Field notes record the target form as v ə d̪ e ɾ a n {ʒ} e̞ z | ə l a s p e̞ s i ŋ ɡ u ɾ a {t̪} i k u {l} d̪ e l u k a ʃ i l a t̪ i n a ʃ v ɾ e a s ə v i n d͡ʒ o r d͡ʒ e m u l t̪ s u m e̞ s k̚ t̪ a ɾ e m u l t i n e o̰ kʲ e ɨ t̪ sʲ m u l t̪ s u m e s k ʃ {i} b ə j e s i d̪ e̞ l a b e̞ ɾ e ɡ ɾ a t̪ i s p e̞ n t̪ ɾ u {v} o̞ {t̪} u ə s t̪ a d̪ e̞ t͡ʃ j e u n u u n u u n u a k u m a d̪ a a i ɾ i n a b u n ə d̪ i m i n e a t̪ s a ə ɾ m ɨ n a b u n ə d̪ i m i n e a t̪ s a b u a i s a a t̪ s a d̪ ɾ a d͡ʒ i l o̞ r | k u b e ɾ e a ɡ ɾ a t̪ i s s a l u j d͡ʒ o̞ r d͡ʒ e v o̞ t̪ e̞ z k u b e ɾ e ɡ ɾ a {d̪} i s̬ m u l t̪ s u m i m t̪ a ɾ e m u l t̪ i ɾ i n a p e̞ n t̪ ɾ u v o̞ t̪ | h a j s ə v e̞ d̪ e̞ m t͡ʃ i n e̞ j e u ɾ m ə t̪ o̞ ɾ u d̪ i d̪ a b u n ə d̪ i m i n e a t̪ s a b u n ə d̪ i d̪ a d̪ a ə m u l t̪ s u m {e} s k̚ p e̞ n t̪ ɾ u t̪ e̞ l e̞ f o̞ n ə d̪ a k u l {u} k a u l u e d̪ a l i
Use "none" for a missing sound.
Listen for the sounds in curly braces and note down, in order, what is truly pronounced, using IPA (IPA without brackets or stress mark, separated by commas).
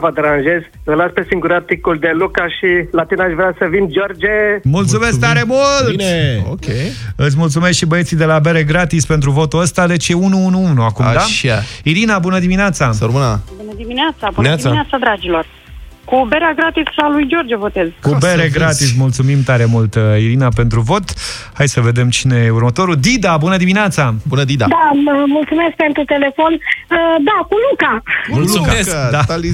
ʒ, t̪, l, i, v, t̪, t̪, e, u